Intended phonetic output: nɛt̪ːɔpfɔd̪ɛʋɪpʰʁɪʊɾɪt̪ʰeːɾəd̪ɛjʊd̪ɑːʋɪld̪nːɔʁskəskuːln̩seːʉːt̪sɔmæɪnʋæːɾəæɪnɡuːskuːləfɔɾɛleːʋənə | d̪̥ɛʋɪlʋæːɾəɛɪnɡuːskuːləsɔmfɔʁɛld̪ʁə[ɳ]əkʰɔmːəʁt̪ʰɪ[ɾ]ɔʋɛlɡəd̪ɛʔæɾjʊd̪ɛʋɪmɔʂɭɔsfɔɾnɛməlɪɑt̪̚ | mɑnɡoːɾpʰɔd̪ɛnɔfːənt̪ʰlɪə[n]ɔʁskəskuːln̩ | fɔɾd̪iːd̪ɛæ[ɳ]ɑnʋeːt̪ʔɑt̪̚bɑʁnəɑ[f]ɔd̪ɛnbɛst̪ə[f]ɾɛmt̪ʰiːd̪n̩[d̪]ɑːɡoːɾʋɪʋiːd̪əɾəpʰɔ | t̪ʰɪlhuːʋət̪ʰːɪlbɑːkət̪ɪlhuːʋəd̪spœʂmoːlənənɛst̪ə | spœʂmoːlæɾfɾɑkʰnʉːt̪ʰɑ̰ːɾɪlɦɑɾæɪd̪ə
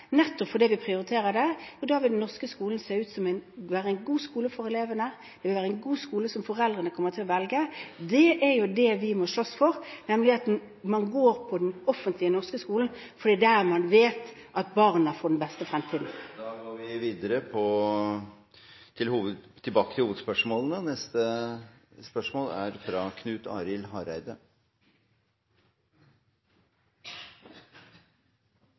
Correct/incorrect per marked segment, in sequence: incorrect, incorrect, correct, incorrect, correct, correct, correct

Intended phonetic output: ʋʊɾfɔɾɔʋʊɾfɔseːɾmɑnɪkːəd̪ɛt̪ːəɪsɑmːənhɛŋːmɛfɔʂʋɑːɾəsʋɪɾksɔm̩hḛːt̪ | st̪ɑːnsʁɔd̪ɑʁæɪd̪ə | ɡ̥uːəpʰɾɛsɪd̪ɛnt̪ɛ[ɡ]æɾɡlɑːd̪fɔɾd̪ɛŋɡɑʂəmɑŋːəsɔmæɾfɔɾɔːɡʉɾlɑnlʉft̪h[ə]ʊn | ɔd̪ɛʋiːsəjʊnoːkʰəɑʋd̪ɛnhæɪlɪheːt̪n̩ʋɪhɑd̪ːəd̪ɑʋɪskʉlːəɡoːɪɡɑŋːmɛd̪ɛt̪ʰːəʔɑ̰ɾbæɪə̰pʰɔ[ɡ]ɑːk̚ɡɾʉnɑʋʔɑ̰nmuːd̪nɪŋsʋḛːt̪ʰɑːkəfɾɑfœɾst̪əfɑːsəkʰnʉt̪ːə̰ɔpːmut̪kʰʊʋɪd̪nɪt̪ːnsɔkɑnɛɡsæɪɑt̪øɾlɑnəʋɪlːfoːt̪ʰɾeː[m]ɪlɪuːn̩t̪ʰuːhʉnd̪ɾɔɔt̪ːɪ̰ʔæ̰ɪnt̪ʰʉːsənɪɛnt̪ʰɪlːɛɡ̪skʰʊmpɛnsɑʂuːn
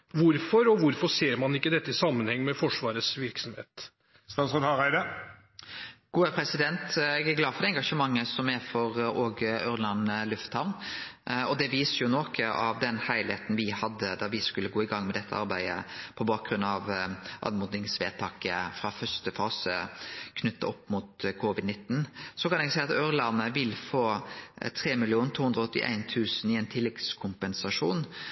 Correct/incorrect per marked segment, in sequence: correct, incorrect, incorrect, correct

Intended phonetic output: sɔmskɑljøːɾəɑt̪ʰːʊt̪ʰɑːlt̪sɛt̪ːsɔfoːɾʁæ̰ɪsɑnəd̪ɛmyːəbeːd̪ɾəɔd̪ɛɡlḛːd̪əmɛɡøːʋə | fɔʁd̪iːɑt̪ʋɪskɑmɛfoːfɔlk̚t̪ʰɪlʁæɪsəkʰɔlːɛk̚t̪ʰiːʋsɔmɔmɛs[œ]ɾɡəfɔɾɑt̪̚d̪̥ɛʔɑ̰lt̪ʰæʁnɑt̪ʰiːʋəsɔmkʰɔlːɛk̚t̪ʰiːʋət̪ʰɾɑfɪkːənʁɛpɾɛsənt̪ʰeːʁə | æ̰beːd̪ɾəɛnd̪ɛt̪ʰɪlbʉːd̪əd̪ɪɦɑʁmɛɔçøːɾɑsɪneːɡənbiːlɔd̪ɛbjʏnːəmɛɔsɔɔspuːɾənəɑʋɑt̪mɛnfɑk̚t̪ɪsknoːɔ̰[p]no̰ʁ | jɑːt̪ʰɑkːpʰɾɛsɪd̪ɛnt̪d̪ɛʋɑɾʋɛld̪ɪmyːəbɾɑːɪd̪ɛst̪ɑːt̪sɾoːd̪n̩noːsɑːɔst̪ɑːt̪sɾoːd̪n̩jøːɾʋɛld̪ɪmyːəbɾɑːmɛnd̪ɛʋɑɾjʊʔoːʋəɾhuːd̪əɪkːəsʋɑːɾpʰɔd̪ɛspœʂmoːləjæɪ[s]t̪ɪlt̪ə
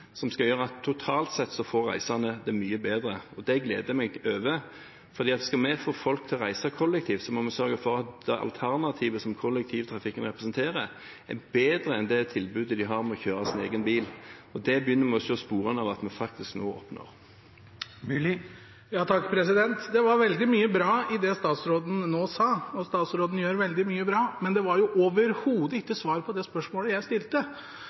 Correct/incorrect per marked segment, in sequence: correct, correct, correct

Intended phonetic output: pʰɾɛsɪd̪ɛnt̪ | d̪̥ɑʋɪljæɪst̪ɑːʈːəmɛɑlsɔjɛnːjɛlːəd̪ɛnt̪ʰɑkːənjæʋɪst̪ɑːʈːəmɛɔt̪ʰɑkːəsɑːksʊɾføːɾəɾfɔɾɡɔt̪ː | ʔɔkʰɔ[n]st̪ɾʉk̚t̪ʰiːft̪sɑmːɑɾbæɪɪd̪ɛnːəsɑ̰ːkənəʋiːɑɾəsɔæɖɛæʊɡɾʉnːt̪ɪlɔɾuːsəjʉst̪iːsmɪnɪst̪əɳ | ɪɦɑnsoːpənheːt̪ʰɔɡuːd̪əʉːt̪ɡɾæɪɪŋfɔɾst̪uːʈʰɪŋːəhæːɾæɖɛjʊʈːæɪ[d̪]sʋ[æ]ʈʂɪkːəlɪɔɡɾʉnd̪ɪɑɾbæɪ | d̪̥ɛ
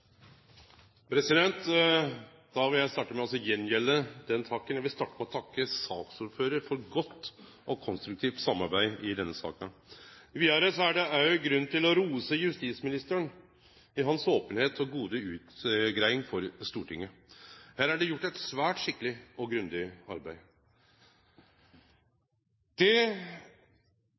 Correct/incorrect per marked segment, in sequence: correct, incorrect, incorrect

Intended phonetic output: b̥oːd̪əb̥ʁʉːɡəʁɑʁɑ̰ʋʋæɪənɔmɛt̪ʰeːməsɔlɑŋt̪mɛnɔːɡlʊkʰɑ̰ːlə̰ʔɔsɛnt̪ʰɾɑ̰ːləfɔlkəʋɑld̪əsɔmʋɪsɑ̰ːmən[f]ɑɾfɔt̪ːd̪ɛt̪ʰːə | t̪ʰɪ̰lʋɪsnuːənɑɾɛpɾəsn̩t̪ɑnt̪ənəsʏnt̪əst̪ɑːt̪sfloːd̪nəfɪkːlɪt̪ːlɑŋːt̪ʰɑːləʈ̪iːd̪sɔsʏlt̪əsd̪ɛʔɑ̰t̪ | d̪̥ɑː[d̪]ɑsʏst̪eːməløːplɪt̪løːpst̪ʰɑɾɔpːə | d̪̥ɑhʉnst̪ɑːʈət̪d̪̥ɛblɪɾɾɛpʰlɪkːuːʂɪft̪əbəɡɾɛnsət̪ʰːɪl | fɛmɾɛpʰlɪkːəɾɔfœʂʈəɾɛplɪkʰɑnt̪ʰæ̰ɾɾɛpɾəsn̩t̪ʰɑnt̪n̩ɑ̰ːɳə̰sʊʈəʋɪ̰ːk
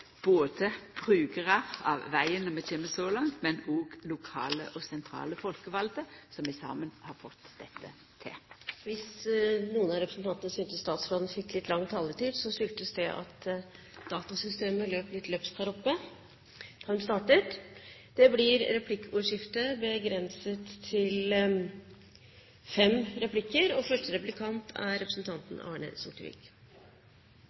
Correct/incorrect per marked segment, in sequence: incorrect, incorrect

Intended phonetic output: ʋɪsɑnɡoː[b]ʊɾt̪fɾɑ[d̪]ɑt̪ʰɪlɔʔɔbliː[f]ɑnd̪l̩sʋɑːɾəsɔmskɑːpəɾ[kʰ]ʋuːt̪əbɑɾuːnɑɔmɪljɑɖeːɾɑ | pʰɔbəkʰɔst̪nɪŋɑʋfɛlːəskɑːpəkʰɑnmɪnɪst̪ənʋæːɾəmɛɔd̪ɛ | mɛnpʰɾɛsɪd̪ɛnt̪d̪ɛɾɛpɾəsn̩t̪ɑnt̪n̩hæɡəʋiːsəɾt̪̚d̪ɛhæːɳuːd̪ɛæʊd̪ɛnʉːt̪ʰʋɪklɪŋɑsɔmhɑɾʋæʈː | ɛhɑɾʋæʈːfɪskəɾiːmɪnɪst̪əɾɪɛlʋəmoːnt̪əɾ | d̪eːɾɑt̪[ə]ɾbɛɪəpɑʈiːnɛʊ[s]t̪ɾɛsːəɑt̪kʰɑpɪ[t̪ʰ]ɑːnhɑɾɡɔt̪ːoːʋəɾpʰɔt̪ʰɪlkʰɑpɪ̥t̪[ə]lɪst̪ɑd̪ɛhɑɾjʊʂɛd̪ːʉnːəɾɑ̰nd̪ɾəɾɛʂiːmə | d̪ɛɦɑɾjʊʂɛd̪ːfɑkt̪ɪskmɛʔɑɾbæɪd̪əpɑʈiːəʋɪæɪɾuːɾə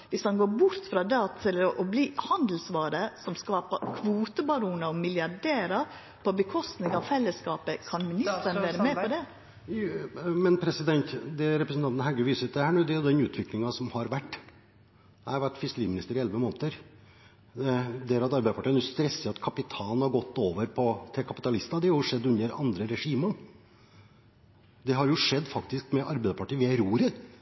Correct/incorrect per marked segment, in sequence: correct, correct, incorrect, correct, incorrect, correct, correct, incorrect

